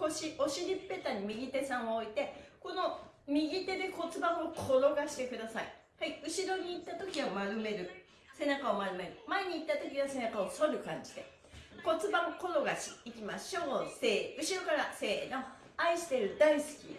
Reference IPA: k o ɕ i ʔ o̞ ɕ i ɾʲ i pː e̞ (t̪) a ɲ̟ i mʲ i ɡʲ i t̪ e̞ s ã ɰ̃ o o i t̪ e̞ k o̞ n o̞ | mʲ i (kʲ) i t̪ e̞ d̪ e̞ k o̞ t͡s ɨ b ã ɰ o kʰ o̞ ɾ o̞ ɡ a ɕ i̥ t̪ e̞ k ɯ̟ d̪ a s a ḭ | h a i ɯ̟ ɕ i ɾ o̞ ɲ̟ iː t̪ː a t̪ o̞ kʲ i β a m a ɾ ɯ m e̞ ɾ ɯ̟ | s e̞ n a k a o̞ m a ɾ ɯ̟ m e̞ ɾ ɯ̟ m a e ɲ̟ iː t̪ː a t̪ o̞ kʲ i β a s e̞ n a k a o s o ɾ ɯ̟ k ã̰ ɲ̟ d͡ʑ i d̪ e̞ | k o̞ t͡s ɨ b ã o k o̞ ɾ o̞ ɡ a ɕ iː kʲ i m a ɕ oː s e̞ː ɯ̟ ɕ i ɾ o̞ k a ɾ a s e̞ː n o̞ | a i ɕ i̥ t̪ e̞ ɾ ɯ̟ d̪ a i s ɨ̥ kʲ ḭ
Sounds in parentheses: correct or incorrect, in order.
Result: correct, incorrect: ɡʲ

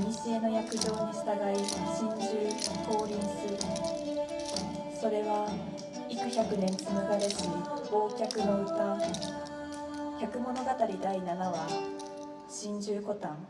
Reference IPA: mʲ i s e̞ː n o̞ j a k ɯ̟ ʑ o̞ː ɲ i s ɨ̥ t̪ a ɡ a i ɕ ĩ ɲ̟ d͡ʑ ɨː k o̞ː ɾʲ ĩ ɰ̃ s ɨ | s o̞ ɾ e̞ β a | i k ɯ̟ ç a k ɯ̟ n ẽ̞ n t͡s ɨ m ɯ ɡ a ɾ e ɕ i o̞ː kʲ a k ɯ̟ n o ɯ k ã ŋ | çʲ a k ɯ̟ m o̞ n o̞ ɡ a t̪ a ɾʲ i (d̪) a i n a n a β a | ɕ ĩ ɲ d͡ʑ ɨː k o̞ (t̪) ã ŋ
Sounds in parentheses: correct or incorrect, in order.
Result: correct, correct

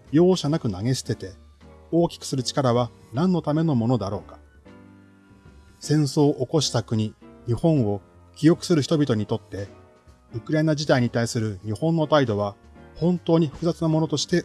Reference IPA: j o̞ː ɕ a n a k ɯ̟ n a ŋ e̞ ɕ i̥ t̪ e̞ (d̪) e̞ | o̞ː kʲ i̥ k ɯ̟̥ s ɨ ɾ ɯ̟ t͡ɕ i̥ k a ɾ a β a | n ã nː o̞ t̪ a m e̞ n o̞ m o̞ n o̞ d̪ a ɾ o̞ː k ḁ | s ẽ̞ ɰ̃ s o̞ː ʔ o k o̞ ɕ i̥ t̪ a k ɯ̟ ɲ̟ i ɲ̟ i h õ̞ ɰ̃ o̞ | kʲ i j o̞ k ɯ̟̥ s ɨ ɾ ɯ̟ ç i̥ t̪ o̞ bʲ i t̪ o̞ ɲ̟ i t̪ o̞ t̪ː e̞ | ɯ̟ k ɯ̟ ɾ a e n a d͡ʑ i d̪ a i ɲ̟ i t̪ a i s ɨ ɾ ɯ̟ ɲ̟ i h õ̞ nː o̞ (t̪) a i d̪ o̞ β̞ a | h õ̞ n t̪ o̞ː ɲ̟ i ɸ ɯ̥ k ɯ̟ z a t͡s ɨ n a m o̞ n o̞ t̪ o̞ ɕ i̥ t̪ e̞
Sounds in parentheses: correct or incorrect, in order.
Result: incorrect: t̪, correct

